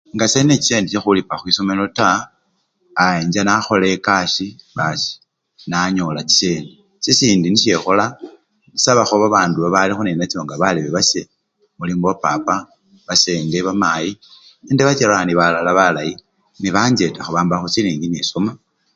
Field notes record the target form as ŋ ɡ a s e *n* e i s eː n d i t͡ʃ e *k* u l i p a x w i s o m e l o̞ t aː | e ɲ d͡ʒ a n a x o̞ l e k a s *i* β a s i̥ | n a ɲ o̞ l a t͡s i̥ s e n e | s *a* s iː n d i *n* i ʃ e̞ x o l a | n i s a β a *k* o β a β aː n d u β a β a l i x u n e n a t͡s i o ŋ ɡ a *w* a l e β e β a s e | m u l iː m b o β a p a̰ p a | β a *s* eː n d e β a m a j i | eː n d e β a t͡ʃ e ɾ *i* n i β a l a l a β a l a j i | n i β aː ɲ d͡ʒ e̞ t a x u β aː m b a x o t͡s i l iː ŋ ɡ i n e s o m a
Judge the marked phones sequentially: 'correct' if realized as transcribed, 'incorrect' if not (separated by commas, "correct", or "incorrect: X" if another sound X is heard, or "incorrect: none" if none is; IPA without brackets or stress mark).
correct, incorrect: x, correct, incorrect: i, correct, incorrect: x, incorrect: β, correct, incorrect: a